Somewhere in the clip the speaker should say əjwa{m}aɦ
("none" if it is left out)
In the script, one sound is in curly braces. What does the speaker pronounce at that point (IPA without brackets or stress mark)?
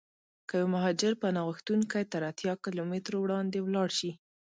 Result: m